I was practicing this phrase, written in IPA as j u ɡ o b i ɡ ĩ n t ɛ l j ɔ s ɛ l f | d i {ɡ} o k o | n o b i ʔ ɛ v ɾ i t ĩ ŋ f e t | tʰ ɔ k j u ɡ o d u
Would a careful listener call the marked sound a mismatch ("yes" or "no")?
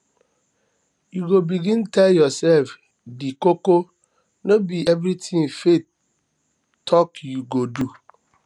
yes